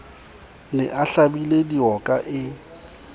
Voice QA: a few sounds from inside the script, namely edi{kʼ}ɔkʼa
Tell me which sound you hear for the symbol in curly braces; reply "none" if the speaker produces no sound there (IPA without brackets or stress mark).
none